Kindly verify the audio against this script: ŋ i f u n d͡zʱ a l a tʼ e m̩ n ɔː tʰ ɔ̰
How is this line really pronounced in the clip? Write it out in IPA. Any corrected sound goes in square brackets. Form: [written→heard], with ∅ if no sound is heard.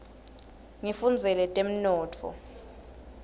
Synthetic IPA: ŋ i f u n d͡zʱ [a→ɛ] l [a→ɛ] tʼ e m̩ n ɔː tʰ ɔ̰